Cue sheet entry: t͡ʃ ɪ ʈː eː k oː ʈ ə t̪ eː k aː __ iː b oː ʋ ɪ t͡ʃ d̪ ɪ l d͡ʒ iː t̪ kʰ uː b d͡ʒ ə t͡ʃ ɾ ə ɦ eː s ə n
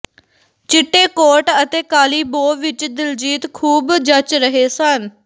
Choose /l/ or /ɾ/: l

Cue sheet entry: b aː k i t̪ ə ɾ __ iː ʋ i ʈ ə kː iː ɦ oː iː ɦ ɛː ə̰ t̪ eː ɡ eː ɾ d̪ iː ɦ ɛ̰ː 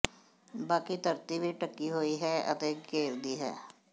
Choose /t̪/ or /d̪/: t̪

